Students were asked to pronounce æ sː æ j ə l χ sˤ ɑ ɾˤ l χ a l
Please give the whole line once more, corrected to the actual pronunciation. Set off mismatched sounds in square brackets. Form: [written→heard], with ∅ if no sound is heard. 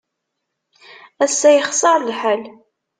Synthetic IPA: æ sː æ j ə [l→∅] χ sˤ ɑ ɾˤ l [χ→ħ] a l